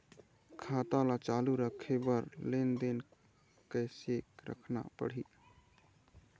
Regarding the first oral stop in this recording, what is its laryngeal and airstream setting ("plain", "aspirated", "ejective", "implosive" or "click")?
aspirated